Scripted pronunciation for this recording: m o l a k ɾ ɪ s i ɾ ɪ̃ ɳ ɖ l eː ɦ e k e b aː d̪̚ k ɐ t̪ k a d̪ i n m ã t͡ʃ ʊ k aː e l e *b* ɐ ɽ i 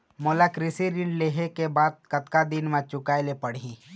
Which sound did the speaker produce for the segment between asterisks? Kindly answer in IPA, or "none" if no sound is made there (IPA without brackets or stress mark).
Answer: p